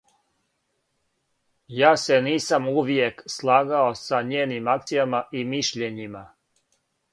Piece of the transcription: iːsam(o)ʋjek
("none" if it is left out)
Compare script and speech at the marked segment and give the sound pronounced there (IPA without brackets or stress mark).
u